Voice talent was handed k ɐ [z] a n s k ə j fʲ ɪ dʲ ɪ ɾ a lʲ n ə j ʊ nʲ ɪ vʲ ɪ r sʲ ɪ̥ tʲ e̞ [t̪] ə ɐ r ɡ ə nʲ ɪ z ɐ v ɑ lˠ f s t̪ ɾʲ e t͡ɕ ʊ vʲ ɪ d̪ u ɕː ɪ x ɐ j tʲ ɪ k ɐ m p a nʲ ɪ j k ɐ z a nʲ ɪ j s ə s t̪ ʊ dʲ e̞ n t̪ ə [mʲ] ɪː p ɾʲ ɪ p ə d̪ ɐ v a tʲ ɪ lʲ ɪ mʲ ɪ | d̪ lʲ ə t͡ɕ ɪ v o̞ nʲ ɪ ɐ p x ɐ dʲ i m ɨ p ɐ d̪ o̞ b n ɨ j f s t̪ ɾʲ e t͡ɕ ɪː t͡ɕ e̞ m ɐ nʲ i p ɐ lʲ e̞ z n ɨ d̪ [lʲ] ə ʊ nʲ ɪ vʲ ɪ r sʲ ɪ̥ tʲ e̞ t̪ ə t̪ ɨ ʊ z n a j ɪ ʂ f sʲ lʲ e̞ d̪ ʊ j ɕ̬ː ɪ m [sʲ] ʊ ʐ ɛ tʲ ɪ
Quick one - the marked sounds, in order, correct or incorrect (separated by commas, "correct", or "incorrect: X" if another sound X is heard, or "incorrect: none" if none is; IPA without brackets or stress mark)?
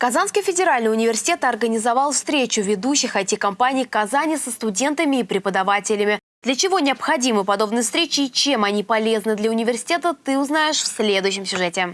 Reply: correct, correct, correct, correct, correct